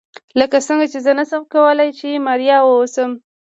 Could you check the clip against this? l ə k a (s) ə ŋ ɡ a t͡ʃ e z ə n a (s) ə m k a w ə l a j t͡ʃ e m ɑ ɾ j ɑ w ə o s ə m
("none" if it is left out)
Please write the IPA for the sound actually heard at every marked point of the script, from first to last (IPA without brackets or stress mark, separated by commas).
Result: s, s